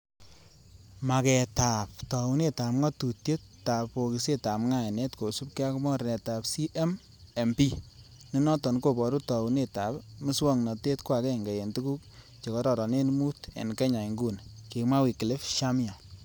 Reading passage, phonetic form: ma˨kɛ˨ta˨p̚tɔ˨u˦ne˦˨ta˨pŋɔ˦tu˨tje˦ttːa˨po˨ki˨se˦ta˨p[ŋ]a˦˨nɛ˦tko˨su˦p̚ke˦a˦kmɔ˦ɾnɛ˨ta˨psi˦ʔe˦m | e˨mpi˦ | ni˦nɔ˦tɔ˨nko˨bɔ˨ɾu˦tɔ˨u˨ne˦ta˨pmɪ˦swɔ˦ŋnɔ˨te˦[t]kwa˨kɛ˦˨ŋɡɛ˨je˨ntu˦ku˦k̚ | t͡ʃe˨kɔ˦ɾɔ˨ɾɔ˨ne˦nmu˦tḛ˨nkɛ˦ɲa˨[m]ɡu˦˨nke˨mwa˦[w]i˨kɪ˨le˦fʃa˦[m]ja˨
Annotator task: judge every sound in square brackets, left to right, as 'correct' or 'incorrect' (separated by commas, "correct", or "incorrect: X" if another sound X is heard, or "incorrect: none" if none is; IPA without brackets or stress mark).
correct, correct, incorrect: ŋ, correct, correct